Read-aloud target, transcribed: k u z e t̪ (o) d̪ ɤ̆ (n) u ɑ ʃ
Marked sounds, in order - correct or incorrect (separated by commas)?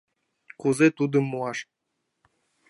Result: incorrect, incorrect